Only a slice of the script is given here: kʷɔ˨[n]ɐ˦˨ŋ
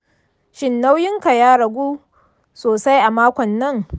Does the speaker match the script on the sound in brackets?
no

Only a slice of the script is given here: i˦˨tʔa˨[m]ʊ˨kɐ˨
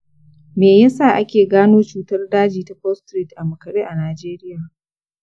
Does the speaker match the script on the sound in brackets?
yes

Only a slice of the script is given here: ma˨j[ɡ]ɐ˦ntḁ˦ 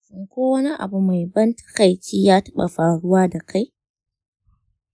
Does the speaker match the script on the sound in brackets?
no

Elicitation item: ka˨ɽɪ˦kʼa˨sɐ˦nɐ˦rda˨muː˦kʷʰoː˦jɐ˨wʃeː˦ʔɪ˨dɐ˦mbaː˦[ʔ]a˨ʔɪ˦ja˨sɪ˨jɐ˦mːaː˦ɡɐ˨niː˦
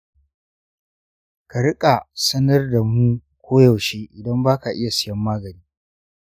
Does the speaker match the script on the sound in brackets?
no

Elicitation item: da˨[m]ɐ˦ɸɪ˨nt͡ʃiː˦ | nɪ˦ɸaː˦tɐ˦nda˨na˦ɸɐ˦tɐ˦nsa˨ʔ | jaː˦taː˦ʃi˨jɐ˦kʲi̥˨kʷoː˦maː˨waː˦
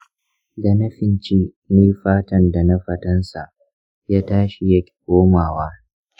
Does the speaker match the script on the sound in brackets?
no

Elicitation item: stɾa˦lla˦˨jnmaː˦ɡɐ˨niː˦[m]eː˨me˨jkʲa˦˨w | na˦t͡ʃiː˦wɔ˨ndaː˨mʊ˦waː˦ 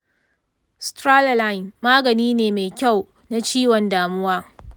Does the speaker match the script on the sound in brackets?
no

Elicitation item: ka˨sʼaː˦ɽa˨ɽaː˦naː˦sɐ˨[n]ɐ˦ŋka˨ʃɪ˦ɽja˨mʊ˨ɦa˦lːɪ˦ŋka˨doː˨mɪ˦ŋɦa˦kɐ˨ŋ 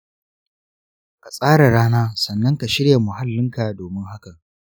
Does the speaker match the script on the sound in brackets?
no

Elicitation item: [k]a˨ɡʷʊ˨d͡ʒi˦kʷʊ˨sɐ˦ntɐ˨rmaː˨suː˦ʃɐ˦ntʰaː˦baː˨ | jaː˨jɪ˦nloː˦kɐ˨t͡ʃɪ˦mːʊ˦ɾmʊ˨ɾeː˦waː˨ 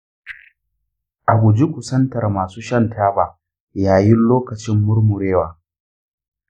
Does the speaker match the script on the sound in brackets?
no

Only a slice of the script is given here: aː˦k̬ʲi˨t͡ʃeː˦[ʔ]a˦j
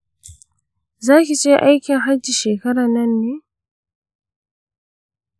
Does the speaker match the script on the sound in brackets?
yes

